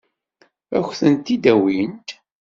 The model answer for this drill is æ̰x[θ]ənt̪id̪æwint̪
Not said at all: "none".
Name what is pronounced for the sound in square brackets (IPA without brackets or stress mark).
θ